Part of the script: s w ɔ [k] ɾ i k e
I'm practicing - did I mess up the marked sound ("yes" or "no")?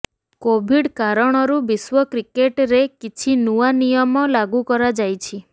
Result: no